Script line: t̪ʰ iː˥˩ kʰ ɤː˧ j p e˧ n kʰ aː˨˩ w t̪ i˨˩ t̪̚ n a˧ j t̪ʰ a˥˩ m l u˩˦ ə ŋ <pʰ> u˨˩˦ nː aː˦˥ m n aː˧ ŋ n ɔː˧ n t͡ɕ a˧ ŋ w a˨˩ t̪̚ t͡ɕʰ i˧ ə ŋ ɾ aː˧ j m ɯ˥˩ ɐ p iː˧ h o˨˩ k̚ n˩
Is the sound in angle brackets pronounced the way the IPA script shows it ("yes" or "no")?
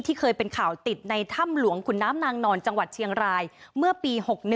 no